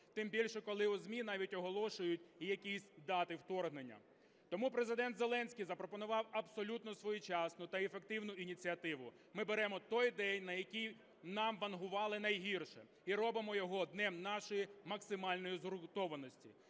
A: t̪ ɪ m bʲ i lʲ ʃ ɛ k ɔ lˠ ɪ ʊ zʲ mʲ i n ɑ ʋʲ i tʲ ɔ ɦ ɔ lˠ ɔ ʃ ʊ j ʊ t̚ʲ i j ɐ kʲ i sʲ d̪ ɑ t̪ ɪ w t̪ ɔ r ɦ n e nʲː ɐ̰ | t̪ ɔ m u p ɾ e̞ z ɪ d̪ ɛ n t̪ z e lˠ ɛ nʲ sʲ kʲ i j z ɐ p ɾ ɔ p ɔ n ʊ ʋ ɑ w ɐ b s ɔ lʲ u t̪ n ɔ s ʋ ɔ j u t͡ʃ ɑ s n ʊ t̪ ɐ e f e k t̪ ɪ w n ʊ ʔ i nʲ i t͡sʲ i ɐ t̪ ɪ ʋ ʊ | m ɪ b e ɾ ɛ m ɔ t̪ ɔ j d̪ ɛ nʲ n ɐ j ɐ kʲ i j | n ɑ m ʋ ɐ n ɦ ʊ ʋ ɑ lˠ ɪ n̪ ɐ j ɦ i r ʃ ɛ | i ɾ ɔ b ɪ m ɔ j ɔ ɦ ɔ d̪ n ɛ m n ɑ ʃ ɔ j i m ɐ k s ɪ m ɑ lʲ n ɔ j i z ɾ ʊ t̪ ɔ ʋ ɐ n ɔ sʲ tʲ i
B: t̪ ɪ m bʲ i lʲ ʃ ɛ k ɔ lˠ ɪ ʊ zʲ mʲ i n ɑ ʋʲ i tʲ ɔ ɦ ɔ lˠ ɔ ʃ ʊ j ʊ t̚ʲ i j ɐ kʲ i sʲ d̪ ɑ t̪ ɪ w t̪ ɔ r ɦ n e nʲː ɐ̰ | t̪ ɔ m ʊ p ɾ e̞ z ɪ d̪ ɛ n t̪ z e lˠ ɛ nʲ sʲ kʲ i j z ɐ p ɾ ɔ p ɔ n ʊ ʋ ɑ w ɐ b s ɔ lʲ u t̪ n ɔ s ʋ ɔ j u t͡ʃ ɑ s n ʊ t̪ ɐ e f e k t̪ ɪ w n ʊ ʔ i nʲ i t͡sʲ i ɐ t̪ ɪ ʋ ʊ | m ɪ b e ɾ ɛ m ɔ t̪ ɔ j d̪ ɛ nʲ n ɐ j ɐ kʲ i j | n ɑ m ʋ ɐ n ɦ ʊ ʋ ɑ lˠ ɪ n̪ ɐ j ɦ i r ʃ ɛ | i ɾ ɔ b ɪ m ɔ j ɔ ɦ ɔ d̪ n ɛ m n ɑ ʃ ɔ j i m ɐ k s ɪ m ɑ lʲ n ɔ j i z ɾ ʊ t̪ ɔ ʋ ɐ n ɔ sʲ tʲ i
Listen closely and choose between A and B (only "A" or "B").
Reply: A